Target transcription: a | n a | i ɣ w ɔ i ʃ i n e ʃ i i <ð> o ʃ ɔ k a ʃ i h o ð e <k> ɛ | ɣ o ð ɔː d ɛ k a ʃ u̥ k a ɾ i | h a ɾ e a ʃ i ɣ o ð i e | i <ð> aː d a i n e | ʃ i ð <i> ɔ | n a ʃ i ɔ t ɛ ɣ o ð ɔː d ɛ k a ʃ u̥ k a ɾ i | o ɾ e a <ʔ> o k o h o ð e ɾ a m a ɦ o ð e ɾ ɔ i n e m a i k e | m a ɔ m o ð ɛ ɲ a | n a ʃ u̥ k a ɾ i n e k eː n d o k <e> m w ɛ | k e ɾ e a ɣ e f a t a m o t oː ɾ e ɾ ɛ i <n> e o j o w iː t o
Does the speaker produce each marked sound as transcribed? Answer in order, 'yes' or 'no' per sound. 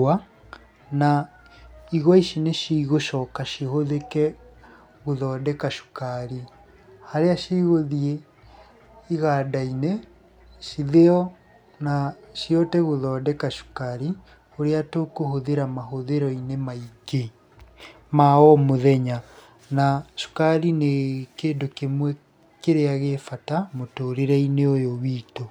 no, yes, no, no, no, yes, yes

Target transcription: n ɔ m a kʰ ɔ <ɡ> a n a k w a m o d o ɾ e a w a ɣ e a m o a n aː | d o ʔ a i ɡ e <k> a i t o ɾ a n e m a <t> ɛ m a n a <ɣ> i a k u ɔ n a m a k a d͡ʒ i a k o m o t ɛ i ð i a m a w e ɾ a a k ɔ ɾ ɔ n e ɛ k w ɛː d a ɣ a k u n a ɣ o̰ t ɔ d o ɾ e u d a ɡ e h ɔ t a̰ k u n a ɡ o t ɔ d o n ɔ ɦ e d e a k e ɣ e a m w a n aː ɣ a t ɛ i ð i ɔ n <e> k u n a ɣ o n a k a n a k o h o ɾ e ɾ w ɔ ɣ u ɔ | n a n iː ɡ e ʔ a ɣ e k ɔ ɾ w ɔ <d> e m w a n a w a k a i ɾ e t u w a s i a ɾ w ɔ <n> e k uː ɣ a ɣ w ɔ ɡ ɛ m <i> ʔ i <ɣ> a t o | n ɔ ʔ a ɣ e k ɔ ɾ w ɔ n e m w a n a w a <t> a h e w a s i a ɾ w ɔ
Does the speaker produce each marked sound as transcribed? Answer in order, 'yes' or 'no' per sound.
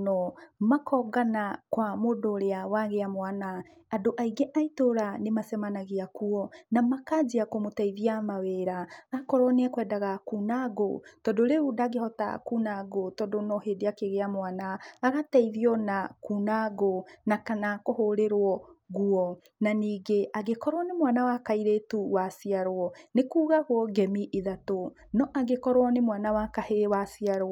yes, no, no, yes, no, no, yes, yes, no, no

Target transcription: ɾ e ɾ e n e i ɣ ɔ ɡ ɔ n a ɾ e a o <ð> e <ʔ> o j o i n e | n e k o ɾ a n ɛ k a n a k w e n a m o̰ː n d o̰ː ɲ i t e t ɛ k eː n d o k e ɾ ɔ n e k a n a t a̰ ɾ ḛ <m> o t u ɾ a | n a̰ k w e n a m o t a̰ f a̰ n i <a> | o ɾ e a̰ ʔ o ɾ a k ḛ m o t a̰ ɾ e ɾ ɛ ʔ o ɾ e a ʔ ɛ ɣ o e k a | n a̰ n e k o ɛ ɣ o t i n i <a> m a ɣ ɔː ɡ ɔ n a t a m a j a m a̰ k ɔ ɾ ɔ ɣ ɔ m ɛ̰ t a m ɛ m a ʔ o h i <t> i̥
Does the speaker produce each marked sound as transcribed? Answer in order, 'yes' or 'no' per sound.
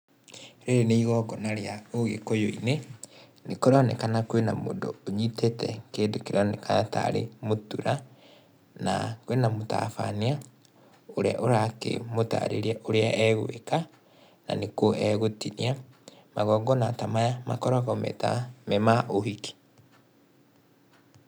no, no, yes, yes, yes, no

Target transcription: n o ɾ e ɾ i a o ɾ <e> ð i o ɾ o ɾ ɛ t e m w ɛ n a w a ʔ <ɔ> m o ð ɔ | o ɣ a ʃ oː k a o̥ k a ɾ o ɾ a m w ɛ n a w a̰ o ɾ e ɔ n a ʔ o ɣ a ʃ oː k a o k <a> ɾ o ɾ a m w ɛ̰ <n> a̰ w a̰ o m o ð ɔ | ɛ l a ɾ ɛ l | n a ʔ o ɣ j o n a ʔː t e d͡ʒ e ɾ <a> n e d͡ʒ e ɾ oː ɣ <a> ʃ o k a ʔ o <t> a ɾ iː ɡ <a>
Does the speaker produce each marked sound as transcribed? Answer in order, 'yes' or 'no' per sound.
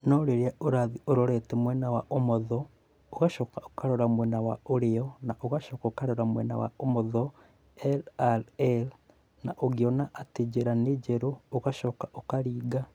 no, no, yes, yes, yes, yes, no, yes

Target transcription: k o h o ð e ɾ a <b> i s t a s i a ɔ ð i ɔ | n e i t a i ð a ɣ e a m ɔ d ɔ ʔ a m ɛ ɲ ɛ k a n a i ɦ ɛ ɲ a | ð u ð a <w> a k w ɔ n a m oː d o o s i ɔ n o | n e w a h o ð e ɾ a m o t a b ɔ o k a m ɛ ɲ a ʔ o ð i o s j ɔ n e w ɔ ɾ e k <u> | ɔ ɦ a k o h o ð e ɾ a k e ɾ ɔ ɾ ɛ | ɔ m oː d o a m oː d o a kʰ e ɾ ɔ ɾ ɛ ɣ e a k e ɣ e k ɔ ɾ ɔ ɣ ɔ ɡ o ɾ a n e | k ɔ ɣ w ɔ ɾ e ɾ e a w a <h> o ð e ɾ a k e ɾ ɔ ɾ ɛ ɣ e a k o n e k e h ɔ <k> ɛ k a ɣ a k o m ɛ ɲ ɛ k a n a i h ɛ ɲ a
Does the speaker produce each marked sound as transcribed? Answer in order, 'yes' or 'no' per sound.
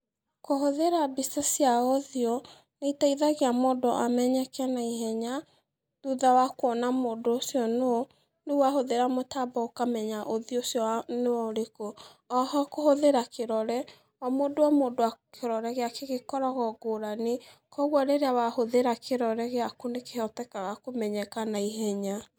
yes, yes, no, yes, no

